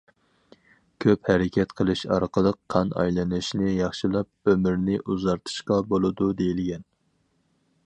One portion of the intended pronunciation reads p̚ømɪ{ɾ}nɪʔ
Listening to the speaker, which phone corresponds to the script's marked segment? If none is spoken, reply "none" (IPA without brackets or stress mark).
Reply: ɾ